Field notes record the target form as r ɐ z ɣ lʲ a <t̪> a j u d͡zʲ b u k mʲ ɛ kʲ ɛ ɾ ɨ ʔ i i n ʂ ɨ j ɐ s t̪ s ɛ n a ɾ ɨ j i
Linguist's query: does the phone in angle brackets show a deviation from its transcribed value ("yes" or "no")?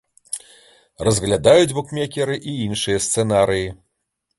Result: yes